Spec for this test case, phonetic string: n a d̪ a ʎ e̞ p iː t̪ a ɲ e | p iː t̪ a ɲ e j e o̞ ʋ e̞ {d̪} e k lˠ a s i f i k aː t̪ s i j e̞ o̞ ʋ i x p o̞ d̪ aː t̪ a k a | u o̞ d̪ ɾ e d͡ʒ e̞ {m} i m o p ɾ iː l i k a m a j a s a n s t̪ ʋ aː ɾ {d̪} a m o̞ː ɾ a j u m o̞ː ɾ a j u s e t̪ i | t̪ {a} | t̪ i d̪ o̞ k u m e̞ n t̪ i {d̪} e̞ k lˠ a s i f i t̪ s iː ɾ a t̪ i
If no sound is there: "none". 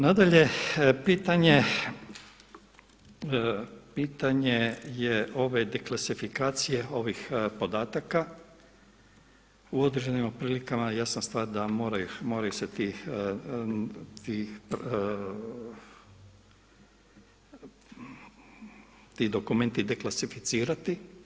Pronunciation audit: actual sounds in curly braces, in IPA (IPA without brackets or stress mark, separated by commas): d̪, n, d̪, i, d̪